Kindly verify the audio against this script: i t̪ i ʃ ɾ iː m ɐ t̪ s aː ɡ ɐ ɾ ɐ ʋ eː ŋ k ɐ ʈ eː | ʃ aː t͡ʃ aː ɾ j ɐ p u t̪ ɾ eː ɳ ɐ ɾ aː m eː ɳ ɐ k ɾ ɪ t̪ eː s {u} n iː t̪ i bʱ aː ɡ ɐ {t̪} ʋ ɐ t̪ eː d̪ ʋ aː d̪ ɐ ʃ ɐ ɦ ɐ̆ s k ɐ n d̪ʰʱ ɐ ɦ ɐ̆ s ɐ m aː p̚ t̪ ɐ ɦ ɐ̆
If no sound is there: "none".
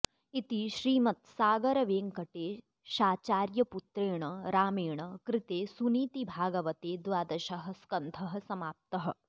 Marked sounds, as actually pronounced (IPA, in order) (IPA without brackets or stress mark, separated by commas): u, none